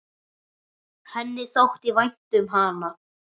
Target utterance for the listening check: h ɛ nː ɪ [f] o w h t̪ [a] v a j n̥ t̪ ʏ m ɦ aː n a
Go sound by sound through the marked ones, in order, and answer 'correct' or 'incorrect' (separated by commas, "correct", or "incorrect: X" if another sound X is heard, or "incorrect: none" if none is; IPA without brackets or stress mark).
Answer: incorrect: θ, incorrect: i